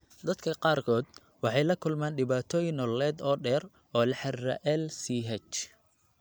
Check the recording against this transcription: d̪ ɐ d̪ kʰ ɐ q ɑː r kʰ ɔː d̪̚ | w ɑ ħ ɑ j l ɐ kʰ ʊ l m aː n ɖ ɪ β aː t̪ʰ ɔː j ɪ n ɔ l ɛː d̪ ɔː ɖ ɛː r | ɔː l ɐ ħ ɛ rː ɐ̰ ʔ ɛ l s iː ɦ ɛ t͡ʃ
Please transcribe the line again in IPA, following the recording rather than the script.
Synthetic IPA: d̪ ɐ d̪ kʰ ɐ q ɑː r kʰ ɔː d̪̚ | w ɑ ħ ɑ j l ɐ kʰ ʊ l m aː n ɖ ɪ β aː t̪ʰ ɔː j ɪ n ɔ l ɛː d̪ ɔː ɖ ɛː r | ɔː l ɐ ħ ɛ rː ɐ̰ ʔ ɛ l s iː ɦ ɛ t͡ʃ